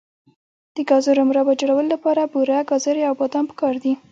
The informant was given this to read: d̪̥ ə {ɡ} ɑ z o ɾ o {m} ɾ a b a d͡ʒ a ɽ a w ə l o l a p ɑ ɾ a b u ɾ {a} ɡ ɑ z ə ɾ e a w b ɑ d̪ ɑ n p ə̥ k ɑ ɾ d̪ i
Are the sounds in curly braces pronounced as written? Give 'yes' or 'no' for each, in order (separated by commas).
yes, yes, yes